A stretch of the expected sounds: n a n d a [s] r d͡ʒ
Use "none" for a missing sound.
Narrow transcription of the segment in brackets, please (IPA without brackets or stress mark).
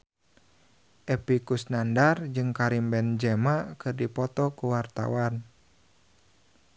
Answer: none